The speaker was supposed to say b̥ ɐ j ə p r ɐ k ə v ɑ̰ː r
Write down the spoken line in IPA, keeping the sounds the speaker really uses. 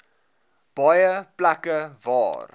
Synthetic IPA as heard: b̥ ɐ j ə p l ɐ k ə v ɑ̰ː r